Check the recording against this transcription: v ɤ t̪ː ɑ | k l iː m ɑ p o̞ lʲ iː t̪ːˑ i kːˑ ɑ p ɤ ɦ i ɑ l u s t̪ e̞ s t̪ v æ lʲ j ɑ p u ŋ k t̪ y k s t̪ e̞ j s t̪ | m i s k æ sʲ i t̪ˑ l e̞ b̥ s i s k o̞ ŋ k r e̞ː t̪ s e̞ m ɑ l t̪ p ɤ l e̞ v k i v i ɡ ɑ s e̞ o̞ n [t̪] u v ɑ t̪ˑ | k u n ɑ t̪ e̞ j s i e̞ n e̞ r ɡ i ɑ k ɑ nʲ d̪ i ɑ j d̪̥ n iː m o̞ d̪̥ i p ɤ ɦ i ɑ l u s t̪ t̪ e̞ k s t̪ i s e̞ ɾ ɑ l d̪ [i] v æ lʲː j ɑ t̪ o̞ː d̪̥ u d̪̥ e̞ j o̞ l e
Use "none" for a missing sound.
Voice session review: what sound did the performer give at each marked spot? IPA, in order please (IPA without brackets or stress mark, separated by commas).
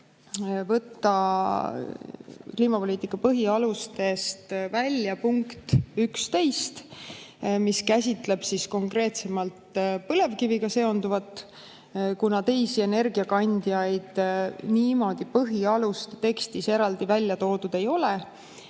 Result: d̪, i